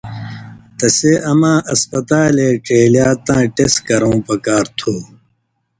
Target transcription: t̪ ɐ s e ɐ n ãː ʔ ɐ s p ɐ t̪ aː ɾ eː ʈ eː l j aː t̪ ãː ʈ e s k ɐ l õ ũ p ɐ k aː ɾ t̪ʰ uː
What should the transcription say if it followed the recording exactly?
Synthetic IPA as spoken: t̪ ɐ s e ɐ m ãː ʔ ɐ s p ɐ t̪ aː l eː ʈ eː l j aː t̪ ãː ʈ e s k ɐ ɾ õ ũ p ɐ k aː ɾ t̪ʰ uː